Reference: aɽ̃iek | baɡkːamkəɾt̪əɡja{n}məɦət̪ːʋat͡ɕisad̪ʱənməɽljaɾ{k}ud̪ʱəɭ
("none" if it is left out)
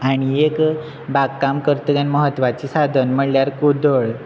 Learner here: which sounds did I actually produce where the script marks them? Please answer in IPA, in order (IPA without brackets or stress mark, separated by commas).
n, k